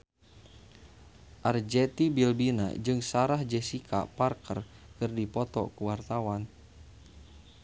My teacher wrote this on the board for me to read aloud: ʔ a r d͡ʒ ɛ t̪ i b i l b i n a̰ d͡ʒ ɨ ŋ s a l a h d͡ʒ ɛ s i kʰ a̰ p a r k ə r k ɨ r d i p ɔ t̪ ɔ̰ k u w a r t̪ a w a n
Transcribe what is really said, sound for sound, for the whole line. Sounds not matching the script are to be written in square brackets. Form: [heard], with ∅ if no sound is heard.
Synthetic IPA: ʔ a r d͡ʒ ɛ t̪ i b i l b i n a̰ d͡ʒ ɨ ŋ s a [ɾ] a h d͡ʒ ɛ s i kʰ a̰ p a r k ə r k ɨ r d i p ɔ t̪ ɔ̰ k u w a r t̪ a w a n